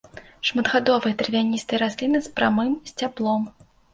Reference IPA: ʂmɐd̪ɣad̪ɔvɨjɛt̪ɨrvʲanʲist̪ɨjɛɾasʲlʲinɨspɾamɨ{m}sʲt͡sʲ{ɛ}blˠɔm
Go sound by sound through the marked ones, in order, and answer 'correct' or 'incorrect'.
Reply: correct, incorrect: a

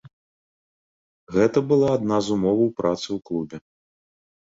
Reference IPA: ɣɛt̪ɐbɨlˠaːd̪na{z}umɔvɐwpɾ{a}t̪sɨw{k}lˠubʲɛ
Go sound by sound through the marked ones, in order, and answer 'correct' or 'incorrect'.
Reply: correct, correct, correct

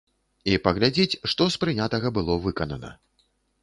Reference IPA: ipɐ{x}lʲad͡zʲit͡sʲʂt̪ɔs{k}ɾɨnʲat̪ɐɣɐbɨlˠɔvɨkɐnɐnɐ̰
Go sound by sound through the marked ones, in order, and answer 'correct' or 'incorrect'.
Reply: incorrect: ɣ, incorrect: p

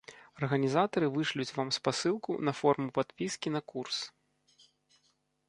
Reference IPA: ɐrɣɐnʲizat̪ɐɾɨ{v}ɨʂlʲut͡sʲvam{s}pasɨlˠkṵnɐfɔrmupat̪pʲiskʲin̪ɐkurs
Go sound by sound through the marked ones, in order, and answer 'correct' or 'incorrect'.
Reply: correct, correct

